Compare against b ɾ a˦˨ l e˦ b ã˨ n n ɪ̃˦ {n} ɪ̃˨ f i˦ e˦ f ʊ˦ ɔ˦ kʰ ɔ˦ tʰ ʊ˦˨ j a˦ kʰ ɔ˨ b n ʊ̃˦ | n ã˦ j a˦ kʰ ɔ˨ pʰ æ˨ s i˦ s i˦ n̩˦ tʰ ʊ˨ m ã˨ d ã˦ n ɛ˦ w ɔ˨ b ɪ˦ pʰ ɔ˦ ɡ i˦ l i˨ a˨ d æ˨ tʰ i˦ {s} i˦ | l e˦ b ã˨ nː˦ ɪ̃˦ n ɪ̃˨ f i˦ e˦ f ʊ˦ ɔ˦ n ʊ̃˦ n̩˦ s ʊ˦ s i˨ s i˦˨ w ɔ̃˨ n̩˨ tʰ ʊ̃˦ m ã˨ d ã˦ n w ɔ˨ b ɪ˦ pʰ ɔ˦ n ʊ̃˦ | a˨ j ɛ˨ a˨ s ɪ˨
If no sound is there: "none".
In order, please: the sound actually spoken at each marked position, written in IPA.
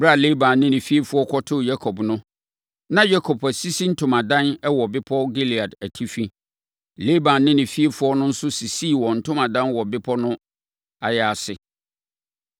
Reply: n, f

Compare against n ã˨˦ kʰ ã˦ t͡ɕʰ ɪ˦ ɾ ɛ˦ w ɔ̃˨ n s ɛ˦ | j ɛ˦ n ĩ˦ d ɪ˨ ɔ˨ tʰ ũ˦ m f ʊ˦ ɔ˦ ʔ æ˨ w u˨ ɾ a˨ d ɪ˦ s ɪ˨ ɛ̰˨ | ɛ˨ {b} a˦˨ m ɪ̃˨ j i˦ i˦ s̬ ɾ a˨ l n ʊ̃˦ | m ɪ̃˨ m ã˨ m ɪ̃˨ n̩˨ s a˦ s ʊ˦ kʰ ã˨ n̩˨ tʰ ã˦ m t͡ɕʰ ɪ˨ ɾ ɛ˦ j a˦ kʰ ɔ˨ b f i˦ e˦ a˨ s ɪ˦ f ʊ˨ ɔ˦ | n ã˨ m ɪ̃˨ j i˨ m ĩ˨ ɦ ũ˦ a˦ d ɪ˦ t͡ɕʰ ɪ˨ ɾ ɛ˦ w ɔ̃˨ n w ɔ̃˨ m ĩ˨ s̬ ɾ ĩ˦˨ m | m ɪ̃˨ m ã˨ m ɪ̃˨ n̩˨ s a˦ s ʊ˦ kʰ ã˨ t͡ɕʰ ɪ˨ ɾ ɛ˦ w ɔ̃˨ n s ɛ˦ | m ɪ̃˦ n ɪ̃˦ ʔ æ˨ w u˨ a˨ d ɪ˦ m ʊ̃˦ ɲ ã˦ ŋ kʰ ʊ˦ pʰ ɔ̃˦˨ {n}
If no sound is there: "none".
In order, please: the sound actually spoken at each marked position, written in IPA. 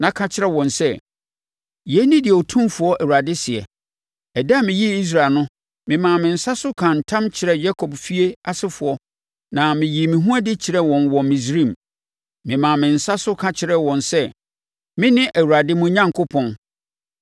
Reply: d, n

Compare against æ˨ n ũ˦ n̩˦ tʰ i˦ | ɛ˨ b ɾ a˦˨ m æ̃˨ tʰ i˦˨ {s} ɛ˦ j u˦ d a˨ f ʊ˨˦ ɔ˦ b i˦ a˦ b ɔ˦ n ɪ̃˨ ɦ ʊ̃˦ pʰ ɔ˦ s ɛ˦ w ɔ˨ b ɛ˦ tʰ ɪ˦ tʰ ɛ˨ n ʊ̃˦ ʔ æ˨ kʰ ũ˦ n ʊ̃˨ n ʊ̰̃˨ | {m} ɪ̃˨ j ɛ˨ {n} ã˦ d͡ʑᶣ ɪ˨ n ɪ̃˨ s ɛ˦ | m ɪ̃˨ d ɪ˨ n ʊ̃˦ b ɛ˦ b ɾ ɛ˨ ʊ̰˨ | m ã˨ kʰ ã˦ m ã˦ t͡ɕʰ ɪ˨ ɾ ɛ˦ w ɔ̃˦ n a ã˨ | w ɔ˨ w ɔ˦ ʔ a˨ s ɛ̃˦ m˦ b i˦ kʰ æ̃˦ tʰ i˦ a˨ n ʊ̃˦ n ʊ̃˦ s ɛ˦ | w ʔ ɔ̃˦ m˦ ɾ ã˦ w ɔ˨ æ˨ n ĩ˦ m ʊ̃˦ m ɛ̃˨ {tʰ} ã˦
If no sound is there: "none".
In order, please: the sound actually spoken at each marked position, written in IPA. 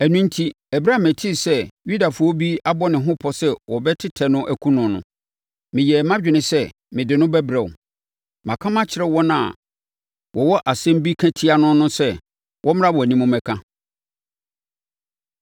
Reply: s, m, m, kʰ

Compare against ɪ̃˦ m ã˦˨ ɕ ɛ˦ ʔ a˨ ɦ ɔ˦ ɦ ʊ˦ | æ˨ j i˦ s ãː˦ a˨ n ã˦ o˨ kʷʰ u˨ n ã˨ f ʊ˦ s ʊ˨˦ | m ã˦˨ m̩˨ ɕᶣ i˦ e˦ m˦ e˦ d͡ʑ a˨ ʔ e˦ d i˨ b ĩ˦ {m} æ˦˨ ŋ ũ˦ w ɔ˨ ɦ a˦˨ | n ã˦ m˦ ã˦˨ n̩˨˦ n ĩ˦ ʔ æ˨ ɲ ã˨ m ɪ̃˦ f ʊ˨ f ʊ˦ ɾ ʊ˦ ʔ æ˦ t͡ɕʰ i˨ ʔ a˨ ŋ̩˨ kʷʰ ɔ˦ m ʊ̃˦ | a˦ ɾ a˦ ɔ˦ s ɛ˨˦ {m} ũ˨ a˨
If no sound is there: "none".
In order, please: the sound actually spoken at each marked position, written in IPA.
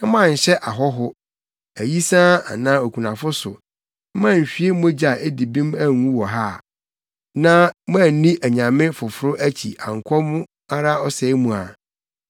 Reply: m, m

